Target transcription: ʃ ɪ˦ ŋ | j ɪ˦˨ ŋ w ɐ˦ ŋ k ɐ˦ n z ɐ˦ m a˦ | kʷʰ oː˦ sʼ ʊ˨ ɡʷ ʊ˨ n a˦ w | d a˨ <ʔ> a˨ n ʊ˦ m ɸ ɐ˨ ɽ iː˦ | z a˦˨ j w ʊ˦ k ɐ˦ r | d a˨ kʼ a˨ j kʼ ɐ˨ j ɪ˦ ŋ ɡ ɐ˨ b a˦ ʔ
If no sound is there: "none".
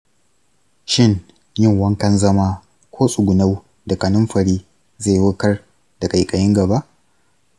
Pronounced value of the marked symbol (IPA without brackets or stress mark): k